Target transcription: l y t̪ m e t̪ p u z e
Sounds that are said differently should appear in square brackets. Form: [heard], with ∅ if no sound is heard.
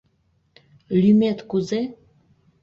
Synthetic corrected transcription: l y [∅] m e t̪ [k] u z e